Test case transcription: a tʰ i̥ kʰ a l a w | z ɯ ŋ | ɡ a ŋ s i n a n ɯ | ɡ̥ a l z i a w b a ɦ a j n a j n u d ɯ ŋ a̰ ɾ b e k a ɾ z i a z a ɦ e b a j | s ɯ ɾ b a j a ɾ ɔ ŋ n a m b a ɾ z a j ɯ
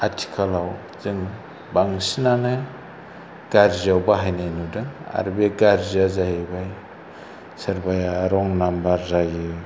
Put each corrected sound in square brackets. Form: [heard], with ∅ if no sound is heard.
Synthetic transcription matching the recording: a tʰ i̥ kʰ a l a w | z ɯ ŋ | [b] a ŋ s i n a n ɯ | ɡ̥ a [ɾ] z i a w b a ɦ a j n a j n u d ɯ ŋ a̰ ɾ b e [ɡ] a ɾ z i a z a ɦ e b a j | s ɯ ɾ b a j a ɾ ɔ ŋ n a m b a ɾ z a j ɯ